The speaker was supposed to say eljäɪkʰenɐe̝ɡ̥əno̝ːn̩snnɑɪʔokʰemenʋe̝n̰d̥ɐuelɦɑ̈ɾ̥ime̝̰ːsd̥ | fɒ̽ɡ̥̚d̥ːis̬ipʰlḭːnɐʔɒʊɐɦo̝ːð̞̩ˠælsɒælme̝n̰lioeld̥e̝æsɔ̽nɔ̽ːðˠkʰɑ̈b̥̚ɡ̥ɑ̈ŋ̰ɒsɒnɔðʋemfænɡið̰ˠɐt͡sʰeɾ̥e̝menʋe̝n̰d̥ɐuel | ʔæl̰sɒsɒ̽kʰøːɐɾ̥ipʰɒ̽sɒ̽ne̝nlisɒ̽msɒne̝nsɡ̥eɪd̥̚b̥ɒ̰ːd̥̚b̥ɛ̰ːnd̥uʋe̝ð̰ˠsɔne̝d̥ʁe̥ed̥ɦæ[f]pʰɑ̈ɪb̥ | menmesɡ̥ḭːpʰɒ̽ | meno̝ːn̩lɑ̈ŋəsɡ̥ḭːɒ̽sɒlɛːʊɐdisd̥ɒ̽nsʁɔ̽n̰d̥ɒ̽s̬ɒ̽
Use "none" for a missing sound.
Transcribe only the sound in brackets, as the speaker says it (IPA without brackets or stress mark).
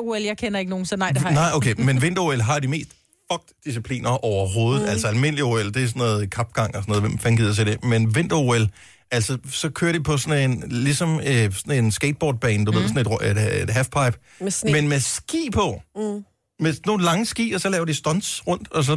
f